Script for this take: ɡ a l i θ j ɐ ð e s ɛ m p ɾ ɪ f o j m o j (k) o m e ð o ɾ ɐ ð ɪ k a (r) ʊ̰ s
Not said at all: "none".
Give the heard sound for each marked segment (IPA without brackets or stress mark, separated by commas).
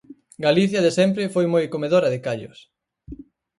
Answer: k, ʎ